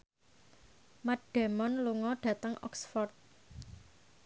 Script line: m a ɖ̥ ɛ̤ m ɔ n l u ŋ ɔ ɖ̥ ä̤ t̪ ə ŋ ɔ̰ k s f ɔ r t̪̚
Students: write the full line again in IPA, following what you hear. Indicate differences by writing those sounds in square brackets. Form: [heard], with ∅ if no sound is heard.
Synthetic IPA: m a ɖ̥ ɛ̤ m ɔ n l u ŋ ɔ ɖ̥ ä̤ t̪ ə ŋ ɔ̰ k s f ɔ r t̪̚